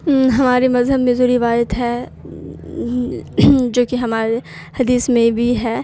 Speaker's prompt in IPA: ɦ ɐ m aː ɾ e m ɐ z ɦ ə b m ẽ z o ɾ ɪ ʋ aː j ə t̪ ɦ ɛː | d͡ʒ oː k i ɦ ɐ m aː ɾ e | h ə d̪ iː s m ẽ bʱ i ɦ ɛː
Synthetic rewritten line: ɦ ɐ m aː ɾ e m ɐ z ɦ ə b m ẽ z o ɾ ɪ ʋ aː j ə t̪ ɦ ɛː | d͡ʒ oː k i ɦ ɐ m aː ɾ e | h ɐ d̪ iː s m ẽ bʱ i ɦ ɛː